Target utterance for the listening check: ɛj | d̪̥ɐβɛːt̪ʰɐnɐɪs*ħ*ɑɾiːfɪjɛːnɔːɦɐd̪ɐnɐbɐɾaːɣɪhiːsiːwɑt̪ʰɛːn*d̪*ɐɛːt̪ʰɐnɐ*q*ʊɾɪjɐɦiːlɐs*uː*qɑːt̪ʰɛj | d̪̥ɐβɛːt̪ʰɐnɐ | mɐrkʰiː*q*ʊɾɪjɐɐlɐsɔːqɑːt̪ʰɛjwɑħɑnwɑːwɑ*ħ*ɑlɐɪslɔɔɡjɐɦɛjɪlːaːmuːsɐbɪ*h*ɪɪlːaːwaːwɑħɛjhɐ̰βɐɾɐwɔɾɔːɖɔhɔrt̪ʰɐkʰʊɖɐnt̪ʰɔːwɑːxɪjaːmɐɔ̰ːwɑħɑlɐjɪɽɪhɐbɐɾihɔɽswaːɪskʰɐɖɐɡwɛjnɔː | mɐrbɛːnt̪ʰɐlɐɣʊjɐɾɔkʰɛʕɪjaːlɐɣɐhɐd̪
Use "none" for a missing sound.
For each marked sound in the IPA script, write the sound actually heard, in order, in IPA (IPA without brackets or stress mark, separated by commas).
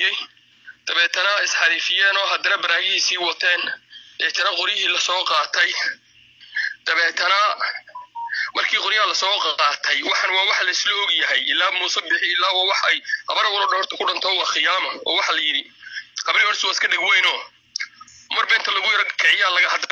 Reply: ħ, d̪, q, ɔː, q, ħ, ħ